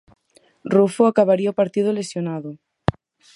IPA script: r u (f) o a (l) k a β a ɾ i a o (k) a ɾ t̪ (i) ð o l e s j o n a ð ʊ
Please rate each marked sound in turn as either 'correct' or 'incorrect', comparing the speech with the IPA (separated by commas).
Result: correct, incorrect, incorrect, correct